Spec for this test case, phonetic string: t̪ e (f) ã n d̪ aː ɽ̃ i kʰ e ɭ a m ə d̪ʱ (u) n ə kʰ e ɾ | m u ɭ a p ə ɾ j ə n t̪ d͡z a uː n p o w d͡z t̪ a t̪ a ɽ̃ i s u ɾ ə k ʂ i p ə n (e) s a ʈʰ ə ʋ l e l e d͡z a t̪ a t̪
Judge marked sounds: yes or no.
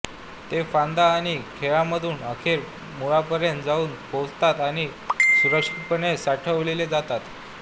yes, no, yes

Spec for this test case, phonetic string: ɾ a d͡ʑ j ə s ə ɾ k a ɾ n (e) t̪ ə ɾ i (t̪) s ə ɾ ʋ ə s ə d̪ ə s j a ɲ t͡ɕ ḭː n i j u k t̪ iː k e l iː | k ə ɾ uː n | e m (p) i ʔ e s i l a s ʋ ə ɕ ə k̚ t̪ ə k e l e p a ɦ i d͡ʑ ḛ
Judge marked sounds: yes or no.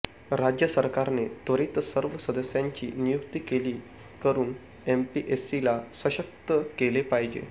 yes, yes, yes

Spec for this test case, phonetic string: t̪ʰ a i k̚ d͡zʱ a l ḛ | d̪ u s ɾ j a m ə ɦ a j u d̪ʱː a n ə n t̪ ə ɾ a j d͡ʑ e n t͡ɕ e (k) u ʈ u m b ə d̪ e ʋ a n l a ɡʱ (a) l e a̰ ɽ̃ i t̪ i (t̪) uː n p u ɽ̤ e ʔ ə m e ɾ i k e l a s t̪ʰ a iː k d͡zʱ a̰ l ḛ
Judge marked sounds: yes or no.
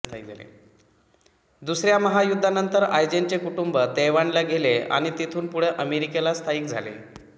yes, no, no

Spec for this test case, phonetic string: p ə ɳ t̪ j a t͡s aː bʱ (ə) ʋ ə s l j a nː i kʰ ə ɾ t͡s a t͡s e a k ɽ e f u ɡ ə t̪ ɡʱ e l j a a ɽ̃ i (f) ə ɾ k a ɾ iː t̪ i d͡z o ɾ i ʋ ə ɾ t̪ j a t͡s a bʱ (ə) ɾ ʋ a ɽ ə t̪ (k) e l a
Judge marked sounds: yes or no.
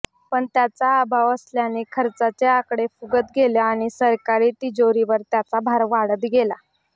no, no, no, no

